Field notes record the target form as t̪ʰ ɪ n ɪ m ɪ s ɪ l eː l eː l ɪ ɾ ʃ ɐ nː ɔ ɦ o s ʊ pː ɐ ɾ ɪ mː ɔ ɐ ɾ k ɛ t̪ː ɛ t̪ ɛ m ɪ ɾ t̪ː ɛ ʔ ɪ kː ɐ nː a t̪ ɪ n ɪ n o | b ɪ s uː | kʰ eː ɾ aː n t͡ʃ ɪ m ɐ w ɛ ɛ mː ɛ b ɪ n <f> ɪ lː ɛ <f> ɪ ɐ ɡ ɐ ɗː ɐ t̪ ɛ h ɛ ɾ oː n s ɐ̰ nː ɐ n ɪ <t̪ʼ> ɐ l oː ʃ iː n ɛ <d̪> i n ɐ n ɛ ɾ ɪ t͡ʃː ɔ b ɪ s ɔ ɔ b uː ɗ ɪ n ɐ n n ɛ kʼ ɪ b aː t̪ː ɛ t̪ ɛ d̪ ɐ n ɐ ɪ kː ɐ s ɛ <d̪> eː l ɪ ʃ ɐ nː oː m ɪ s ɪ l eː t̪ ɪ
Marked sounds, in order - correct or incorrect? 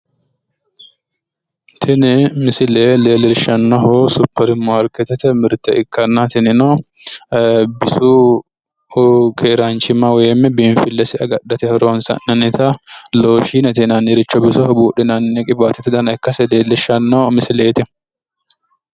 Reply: correct, incorrect, incorrect, incorrect, correct

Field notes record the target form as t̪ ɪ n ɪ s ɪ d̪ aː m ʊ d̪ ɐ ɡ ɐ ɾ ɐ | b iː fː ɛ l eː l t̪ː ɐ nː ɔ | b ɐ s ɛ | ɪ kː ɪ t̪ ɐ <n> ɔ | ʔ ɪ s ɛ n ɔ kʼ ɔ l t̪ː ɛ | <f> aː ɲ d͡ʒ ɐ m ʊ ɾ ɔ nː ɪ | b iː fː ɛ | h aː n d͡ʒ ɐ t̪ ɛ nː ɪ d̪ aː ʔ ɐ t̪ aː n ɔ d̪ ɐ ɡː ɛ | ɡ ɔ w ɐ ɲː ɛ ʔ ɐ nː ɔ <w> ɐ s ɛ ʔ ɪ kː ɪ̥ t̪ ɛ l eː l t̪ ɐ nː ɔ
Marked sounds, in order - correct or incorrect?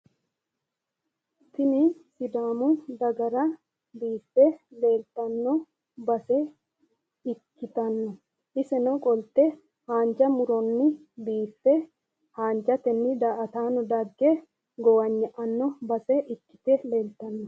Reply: incorrect, incorrect, incorrect

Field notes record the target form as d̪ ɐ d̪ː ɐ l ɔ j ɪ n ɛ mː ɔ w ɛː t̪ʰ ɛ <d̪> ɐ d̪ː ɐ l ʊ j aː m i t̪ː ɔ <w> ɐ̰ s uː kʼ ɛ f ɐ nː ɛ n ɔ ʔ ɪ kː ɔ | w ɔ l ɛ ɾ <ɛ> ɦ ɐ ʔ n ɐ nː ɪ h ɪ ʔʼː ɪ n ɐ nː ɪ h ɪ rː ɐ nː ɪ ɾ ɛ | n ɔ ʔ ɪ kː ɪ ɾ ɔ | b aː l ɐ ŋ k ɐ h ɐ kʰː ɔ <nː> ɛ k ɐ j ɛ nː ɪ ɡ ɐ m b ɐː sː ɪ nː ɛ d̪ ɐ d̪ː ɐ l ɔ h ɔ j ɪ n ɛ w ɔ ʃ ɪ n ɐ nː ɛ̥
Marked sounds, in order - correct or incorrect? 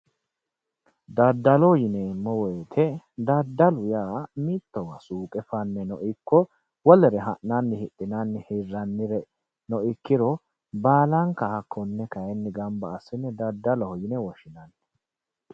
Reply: correct, correct, correct, correct

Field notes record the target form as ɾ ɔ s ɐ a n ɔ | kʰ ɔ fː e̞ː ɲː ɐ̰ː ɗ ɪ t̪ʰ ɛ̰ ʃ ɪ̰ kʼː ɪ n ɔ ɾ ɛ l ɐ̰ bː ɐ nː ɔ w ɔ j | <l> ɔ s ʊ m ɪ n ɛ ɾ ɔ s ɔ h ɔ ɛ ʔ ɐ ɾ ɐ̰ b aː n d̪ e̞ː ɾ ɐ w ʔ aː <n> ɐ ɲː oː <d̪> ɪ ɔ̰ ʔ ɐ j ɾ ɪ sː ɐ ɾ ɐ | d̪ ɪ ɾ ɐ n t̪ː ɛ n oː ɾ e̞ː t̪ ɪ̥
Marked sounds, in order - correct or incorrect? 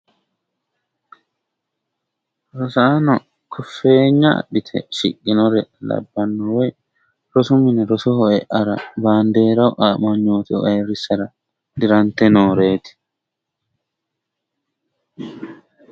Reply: incorrect, incorrect, incorrect

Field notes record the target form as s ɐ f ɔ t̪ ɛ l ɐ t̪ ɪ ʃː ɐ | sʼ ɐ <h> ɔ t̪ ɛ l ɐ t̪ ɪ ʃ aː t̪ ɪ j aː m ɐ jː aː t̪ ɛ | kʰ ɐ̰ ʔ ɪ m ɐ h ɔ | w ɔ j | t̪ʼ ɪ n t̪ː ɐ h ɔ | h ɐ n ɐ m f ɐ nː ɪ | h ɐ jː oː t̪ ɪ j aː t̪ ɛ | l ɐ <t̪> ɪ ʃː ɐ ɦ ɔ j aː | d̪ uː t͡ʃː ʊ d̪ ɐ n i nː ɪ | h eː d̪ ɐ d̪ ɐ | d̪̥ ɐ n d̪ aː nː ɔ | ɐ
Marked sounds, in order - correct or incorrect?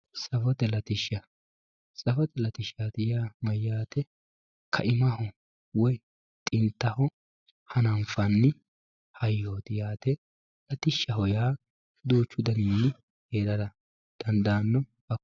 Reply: incorrect, correct

